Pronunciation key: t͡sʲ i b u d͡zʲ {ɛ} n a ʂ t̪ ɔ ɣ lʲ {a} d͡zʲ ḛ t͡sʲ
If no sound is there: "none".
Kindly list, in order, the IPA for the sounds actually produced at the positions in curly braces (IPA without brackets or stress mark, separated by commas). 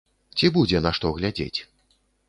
ɛ, a